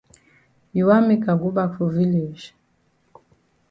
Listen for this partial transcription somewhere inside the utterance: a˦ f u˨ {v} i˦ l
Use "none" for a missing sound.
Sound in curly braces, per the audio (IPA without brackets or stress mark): v